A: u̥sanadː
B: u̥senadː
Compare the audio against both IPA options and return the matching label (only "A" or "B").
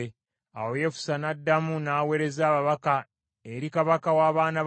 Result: A